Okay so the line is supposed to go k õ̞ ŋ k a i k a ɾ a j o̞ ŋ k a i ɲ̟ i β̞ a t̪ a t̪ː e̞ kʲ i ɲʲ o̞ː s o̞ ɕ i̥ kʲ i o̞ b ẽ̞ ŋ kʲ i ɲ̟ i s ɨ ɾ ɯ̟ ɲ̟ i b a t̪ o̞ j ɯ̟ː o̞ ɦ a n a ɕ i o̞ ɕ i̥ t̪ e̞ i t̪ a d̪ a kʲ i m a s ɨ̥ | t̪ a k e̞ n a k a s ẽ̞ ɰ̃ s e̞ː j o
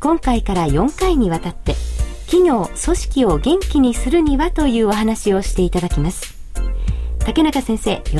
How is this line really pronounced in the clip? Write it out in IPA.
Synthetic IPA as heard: k õ̞ ŋ k a i k a ɾ a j õ̞ ŋ k a i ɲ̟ i β̞ a t̪ a t̪ː e̞ kʲ i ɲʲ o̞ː s o̞ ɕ i̥ kʲ i o̞ ɡ ẽ̞ ŋ kʲ i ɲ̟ i s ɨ ɾ ɯ̟ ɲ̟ i β a t̪ o̞ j ɯ̟ː o̞ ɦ a n a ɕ i o̞ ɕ i̥ t̪ e̞ i t̪ a d̪ a kʲ i m a s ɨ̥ | t̪ a k e̞ n a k a s ẽ̞ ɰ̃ s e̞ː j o